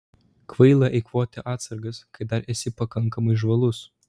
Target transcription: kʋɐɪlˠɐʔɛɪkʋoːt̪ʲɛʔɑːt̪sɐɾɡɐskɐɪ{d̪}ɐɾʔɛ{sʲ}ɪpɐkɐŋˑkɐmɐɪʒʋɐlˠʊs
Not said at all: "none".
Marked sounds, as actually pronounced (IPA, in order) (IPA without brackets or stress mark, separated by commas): d̪, sʲ